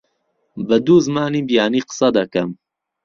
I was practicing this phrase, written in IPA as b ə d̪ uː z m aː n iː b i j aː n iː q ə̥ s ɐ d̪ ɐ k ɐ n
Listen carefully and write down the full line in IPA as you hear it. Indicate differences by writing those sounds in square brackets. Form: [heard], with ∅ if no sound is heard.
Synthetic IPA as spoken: b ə d̪ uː z m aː n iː b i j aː n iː q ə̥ s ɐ d̪ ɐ k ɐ [m]